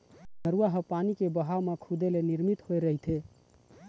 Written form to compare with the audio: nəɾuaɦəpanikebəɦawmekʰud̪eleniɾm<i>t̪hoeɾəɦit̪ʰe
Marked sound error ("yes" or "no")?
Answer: no